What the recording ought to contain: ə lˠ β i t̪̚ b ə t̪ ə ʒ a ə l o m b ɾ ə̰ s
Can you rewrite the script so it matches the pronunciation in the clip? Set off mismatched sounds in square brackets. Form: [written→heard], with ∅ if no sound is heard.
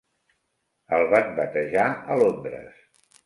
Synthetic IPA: ə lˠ β [i→a] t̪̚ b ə t̪ ə ʒ a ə l o m b ɾ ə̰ s

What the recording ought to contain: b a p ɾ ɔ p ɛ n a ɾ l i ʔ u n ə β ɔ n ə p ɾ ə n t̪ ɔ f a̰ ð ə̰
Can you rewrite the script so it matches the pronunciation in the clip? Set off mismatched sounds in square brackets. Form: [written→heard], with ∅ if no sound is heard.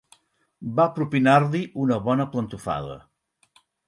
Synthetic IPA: b a p ɾ [ɔ→u] p [ɛ→i] n a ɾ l i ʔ u n ə β ɔ n ə p [ɾ→l] ə n t̪ [ɔ→u] f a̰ ð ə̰

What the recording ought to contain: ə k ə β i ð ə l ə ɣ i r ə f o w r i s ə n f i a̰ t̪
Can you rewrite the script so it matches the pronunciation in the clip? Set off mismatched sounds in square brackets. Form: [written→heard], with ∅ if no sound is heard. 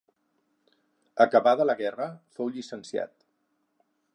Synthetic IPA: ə k ə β [i→a] ð ə l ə ɣ [i→ɛ] r ə f o w [r→ʎ] i s ə n [f→s] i a̰ t̪

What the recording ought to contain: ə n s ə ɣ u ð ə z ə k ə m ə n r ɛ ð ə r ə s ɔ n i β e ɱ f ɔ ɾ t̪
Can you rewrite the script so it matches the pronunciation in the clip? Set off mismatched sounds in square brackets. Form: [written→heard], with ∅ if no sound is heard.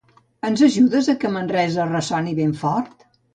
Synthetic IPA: ə n [s→z] ə [ɣ→ʒ] u ð ə z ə k ə m ə n r ɛ [ð→z] ə r ə s ɔ n i β e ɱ f ɔ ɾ t̪

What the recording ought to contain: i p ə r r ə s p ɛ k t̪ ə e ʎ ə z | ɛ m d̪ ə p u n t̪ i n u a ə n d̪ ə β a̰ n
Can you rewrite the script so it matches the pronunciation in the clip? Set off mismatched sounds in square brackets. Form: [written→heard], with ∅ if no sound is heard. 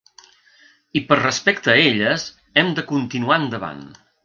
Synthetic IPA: i p ə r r ə s p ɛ k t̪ ə e ʎ ə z | ɛ m d̪ ə [p→k] u n t̪ i n u a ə n d̪ ə β a̰ n

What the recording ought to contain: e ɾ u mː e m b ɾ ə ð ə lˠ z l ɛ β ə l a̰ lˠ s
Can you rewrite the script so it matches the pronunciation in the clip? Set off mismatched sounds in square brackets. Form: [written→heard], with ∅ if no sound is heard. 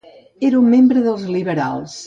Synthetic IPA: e ɾ u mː e m b ɾ ə ð ə lˠ z l [ɛ→i] β ə [l→ɾ] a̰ lˠ s

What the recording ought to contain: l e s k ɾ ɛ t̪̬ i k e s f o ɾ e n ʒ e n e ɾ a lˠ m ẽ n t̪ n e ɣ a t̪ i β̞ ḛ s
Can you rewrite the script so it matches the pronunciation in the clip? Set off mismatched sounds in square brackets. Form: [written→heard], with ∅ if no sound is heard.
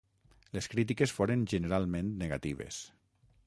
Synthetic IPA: l e s k ɾ [ɛ→i] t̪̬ i k e s f o ɾ e n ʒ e n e ɾ a lˠ m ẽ n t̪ n e ɣ a t̪ i β̞ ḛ s

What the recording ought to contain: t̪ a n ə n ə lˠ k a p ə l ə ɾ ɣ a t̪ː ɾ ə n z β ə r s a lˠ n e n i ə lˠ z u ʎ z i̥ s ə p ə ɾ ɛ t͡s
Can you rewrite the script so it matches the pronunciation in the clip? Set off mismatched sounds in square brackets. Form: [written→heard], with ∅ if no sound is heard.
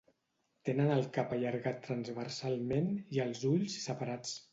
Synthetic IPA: t̪ [a→e] n ə n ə lˠ k a p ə [l→ʎ] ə ɾ ɣ a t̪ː ɾ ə n z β ə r s a lˠ [n→m] e n i ə lˠ z u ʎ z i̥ s ə p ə ɾ [ɛ→a] t͡s

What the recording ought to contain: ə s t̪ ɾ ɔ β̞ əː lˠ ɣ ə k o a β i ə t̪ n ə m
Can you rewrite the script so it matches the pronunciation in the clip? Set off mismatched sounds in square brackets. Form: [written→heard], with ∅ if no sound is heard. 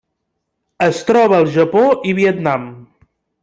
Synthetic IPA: ə s t̪ ɾ ɔ β̞ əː lˠ [ɣ→ʒ] ə [k→p] o [a→i] β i ə t̪ n [ə→a] m

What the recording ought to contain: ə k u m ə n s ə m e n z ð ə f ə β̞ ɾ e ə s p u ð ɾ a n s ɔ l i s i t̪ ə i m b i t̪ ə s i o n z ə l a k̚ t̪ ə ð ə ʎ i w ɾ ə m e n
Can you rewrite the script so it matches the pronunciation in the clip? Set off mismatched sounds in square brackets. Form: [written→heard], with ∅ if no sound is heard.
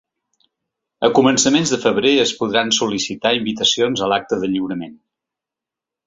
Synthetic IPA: ə k u m ə n s ə m e n z ð ə f ə β̞ ɾ e ə s p u ð ɾ a n s [ɔ→u] l i s i t̪ [ə→a] i m b i t̪ ə s i o n z ə l a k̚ t̪ ə ð ə ʎ i w ɾ ə m e n

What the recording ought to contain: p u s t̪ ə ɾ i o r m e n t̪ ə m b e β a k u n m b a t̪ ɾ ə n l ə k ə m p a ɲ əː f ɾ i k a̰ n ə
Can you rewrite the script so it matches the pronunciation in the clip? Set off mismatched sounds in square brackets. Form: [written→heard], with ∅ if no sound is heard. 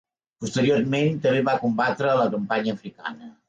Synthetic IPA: p u s t̪ ə ɾ i o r m e n t̪ ə m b e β a k u [n→∅] m b a t̪ ɾ ə [n→∅] l ə k ə m p a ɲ əː f ɾ i k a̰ n ə

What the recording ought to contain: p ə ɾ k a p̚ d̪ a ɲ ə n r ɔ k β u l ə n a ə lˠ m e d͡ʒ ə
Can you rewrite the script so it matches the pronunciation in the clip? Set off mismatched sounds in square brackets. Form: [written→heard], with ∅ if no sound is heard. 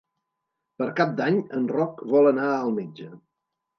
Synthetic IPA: p ə ɾ k a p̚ d̪ a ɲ ə n r ɔ k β [u→ɔ] l ə n a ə lˠ m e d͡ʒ ə

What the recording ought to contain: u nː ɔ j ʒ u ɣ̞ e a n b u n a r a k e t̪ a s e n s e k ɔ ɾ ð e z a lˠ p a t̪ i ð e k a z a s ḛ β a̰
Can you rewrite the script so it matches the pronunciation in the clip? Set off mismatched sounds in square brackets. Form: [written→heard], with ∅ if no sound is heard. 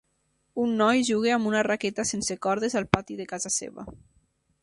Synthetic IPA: u nː ɔ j ʒ u ɣ̞ e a [n→m] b u n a r a k e t̪ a s e n s e k ɔ ɾ ð e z a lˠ p a t̪ i ð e k a z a s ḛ β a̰

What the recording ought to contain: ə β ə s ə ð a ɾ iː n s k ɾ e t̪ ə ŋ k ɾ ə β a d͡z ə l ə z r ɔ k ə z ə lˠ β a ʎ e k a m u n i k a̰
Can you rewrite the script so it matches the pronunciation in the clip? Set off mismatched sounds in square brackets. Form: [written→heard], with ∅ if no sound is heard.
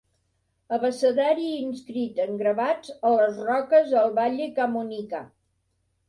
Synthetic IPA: ə β ə s ə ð a ɾ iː n s k ɾ [e→i] t̪ ə ŋ [k→ɡ] ɾ ə β a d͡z ə l ə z r ɔ k ə z ə lˠ β a ʎ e k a m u n i k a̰

